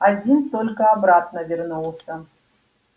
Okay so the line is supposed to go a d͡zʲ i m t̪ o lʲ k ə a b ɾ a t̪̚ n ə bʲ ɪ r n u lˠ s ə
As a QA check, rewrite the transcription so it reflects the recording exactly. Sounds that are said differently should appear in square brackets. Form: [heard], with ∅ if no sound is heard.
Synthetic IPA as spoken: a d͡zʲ i [n] t̪ o lʲ k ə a b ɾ a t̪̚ n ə [vʲ] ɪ r n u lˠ s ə